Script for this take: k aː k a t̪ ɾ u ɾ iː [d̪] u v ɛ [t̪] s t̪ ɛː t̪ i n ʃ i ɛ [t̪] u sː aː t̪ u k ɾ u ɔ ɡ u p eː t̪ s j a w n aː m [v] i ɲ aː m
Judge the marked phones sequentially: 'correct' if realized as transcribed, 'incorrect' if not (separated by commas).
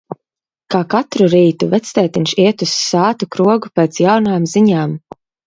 incorrect, correct, correct, incorrect